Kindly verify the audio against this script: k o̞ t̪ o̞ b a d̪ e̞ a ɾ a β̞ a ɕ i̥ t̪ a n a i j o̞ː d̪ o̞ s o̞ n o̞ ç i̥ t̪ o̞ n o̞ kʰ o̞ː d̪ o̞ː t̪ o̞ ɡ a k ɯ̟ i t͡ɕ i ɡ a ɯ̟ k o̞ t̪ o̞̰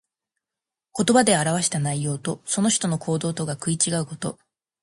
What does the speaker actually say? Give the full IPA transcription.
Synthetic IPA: k o̞ t̪ o̞ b a d̪ e̞ a ɾ a β̞ a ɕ i̥ t̪ a n a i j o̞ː t̪ o̞ s o̞ n o̞ ç i̥ t̪ o̞ n o̞ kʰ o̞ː d̪ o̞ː t̪ o̞ ɡ a k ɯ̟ i t͡ɕ i ɡ a ɯ̟ k o̞ t̪ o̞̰